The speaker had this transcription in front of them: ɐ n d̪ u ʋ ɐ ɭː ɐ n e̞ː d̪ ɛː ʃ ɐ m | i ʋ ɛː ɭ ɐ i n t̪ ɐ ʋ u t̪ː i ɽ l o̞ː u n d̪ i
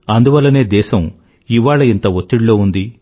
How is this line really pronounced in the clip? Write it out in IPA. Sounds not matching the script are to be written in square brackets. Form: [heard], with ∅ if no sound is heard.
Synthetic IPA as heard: ɐ n d̪ u ʋ ɐ [lː] ɐ n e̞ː d̪ ɛː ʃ ɐ m | i ʋ [aː] ɭ ɐ i n t̪ ɐ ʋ [o] t̪ː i ɽ l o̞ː u n d̪ i

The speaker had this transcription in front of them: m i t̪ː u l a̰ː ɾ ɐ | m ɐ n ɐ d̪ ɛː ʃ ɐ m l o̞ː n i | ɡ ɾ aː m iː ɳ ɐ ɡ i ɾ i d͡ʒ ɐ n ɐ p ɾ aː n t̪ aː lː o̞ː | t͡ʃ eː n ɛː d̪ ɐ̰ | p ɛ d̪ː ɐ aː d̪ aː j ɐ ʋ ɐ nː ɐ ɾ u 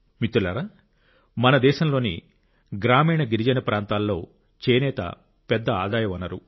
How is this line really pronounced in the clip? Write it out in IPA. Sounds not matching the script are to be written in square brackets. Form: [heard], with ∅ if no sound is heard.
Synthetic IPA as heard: m i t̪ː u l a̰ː ɾ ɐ | m ɐ n ɐ d̪ ɛː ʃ ɐ m l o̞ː n i | ɡ ɾ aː m iː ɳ ɐ ɡ i ɾ i d͡ʒ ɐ n ɐ p ɾ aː n t̪ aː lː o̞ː | t͡ʃ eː n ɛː [t̪] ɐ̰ | p ɛ d̪ː ɐ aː d̪ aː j ɐ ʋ ɐ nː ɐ ɾ u

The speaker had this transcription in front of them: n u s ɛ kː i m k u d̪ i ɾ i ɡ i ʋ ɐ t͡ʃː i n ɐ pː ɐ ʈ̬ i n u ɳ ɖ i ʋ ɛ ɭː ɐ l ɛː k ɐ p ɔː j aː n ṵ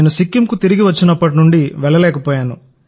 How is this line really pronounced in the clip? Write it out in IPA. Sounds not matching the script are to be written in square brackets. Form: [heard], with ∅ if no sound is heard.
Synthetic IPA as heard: n u s [i] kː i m k u [t̪] i ɾ i ɡ i ʋ ɐ t͡ʃː i n ɐ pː ɐ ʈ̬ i n u ɳ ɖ i ʋ ɛ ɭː ɐ l ɛː k ɐ p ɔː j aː n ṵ

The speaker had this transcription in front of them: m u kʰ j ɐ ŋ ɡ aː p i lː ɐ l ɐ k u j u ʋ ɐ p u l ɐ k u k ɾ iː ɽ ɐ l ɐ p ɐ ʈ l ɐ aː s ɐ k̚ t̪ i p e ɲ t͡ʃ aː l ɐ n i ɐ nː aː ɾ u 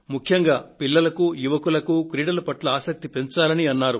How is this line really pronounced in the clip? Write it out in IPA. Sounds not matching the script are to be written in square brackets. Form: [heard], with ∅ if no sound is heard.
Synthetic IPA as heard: m u kʰ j ɐ ŋ ɡ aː p i lː ɐ l ɐ k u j u ʋ ɐ [k] u l ɐ k u k ɾ iː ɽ ɐ l ɐ p ɐ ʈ l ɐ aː s ɐ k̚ t̪ i p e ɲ t͡ʃ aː l ɐ n i ɐ nː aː ɾ u

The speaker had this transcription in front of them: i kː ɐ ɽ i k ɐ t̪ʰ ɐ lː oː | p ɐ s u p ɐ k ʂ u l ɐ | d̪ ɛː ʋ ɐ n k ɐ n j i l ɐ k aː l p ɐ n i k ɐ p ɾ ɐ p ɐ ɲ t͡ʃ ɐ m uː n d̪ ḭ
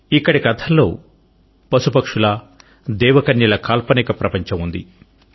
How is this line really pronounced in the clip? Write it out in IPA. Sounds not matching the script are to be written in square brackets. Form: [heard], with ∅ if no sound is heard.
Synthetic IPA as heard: i kː ɐ ɽ i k ɐ t̪ʰ ɐ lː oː | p ɐ s u p ɐ k ʂ u l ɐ | d̪ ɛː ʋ ɐ [∅] k ɐ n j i l ɐ k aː l p ɐ n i k ɐ p ɾ ɐ p ɐ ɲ t͡ʃ ɐ m [u] n d̪ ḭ

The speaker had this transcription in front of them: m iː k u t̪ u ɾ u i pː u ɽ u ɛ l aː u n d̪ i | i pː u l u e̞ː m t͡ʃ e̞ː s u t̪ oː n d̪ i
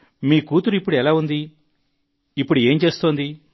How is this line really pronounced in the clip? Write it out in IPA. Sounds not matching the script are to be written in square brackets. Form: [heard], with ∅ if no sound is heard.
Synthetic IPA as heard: m iː k [uː] t̪ u ɾ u i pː u ɽ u ɛ l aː u n d̪ i | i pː u [ɽ] u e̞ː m t͡ʃ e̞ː s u t̪ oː n d̪ i

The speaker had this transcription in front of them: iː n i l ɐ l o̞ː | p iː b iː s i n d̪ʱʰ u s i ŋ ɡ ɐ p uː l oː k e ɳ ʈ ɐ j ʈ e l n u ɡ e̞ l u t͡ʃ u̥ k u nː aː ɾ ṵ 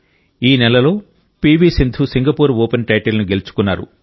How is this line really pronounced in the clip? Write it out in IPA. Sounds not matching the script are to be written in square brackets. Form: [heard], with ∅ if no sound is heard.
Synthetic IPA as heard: iː n [ɛ] l ɐ l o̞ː | p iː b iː s i n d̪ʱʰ u s i ŋ ɡ ɐ p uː [ɾ] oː [p] e [n] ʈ ɐ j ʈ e l n u ɡ e̞ l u t͡ʃ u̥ k u nː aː ɾ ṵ

